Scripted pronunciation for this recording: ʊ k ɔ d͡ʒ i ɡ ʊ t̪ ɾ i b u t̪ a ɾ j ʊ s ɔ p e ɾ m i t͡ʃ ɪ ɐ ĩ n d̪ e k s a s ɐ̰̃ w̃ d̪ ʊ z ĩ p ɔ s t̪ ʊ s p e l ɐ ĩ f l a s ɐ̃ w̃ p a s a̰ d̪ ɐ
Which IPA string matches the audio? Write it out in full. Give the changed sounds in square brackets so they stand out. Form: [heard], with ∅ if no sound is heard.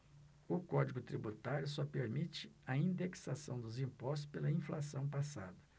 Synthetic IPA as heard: ʊ k ɔ d͡ʒ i ɡ ʊ t̪ ɾ i b u t̪ a ɾ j ʊ s ɔ p e ɾ m i t͡ʃ ɪ ɐ ĩ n d̪ e k s a s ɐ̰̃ w̃ d̪ ʊ z ĩ p ɔ s t̪ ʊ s p e l ɐ ĩ f l a s ɐ̃ w̃ p a s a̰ d̪ ɐ